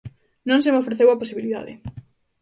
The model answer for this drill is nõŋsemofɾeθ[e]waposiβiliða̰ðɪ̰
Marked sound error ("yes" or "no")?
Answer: no